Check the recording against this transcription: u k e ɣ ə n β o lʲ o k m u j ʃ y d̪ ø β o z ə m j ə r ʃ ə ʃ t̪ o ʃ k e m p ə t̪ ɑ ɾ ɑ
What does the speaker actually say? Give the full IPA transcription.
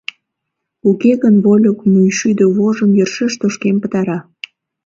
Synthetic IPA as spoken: u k e ɣ ə n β o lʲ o k m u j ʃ y d̪ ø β o ʒ ə m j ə r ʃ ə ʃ t̪ o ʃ k e m p ə t̪ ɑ ɾ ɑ